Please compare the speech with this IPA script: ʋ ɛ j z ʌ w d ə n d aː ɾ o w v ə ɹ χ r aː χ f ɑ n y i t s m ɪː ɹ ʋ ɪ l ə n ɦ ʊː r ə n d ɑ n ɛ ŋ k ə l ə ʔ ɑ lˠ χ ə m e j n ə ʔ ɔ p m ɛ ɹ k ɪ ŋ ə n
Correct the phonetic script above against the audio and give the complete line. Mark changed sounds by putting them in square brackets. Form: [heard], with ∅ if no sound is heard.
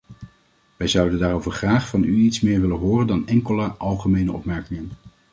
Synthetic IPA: ʋ ɛ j z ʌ w d ə n d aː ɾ o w v ə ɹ χ r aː χ f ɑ n y i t s m ɪː ɹ ʋ ɪ l ə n ɦ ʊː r ə n d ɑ n ɛ ŋ k ə l ə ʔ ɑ lˠ χ ə m e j n ə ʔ ɔ p m ɛ ɹ k ɪ ŋ ə n